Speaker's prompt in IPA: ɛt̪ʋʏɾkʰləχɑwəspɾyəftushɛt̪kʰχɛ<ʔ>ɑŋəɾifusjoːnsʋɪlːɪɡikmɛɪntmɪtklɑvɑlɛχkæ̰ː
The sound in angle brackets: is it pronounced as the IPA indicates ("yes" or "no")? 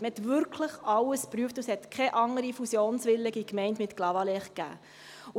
yes